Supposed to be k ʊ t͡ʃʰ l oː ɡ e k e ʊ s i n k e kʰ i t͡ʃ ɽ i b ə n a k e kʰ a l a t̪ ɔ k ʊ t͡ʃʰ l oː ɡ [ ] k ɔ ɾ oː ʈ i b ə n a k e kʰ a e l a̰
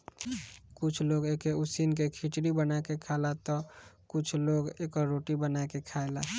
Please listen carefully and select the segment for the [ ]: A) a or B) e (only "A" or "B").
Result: B